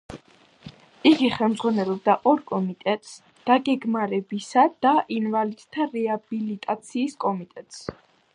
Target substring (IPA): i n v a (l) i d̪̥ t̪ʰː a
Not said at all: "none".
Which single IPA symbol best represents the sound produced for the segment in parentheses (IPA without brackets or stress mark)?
l